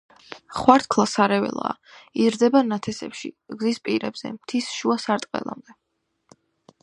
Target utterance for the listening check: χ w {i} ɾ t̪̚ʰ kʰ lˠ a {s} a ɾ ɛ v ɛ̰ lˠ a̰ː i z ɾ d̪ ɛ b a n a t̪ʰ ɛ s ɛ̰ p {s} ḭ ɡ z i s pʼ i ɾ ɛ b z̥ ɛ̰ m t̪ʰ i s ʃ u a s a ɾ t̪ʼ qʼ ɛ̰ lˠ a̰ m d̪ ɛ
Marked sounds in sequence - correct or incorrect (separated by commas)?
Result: incorrect, correct, incorrect